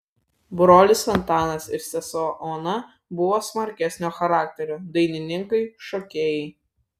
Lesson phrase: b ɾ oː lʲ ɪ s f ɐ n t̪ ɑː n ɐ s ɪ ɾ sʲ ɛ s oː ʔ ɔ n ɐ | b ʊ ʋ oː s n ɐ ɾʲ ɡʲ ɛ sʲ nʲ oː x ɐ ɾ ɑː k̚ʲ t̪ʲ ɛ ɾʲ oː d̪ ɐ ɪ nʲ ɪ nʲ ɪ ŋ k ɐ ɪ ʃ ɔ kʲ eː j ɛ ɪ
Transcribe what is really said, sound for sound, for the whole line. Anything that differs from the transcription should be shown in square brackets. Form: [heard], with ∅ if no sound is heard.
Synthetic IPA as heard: b ɾ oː lʲ ɪ s f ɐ n t̪ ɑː n ɐ s ɪ ɾ sʲ ɛ s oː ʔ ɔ n ɐ | b ʊ ʋ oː s [m] ɐ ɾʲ [kʲ] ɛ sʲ nʲ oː x ɐ ɾ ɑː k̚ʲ t̪ʲ ɛ ɾʲ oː d̪ ɐ ɪ nʲ ɪ nʲ ɪ ŋ k ɐ ɪ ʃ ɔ kʲ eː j ɛ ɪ